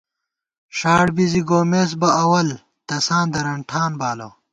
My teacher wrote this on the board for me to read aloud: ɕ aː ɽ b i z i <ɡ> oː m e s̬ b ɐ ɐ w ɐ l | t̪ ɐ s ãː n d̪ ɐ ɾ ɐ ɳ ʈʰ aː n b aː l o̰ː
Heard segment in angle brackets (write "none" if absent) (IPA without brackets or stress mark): ɡ